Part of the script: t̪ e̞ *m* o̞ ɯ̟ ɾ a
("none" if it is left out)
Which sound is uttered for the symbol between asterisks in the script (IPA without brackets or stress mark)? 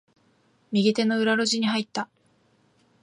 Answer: n